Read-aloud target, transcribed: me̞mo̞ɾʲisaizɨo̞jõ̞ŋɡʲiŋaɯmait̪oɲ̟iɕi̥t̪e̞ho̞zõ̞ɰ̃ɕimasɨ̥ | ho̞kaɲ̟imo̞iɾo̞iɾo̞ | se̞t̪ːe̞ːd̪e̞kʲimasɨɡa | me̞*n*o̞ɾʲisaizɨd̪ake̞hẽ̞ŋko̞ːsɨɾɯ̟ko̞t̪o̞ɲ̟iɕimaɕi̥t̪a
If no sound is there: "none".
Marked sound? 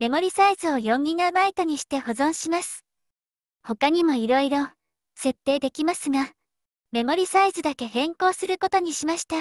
m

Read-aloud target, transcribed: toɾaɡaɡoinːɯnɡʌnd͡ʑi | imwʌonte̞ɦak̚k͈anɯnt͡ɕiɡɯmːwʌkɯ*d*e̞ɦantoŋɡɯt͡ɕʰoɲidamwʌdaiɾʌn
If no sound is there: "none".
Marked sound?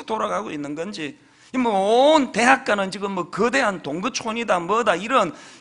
d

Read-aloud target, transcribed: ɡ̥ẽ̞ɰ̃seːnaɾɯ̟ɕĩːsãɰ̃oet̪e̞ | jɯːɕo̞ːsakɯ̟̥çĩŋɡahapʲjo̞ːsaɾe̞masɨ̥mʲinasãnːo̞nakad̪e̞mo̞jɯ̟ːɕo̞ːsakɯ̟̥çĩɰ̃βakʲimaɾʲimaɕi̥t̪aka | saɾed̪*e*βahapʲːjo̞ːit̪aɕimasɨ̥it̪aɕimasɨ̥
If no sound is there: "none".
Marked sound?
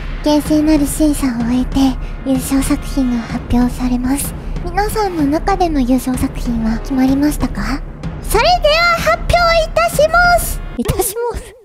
e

